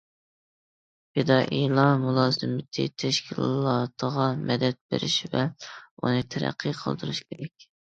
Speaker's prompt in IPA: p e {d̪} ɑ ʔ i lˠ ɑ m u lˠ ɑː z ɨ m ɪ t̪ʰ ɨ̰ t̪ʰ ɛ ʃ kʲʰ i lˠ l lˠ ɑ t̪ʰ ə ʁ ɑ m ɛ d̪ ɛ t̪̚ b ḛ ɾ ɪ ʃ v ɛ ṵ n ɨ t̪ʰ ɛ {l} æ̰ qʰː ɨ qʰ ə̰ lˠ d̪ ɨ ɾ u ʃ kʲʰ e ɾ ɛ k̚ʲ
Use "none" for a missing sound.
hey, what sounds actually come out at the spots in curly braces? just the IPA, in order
d̪, ɾ

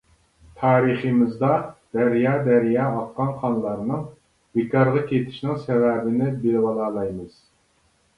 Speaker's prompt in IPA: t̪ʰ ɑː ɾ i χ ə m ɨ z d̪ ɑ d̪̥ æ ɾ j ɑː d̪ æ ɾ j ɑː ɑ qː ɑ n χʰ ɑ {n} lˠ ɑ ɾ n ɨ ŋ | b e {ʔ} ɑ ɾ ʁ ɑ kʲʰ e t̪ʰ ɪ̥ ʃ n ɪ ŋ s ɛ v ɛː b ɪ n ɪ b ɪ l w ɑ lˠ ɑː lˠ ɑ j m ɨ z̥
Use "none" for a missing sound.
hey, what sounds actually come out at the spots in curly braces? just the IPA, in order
n, k

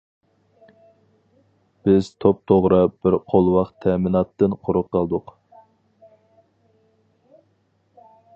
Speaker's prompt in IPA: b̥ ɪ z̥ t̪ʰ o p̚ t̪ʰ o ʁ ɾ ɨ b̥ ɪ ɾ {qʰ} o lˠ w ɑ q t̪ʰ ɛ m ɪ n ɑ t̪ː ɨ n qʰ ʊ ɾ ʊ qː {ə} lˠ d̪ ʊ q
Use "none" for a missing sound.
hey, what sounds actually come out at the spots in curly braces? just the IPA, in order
qʰ, ɑ

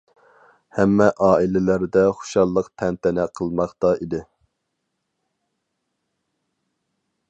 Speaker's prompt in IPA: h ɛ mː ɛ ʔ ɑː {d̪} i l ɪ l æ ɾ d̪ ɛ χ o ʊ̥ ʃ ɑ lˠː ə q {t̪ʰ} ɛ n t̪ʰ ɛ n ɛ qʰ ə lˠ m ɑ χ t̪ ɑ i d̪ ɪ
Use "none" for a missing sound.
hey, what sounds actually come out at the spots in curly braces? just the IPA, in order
none, t̪ʰ

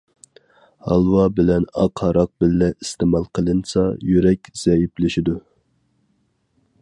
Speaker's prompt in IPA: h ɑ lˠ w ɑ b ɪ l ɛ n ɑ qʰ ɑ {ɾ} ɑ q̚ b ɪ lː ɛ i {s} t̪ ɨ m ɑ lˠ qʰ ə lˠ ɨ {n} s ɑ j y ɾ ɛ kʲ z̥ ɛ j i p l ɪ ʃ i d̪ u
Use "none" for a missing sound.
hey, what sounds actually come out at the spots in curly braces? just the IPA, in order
ɾ, s, n

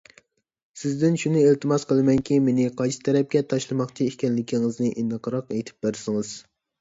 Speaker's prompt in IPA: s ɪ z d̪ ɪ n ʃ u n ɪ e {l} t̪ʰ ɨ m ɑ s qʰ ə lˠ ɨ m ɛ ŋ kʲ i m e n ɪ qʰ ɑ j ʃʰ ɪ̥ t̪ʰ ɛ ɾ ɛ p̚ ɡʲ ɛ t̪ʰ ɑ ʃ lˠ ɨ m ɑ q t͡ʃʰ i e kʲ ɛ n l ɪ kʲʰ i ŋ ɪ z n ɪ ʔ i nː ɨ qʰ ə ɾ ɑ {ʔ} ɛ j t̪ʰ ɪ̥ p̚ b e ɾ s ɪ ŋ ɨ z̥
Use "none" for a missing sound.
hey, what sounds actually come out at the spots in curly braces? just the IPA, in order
l, q

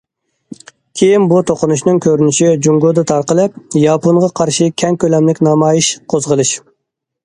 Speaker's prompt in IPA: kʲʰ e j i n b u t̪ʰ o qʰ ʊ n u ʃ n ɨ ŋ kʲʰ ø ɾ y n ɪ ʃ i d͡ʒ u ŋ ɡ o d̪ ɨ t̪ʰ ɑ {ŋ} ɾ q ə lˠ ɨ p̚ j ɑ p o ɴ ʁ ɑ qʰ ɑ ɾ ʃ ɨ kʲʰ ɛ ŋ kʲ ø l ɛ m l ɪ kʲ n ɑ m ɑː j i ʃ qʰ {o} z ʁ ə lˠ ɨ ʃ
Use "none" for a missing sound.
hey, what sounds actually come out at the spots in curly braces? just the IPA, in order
none, o

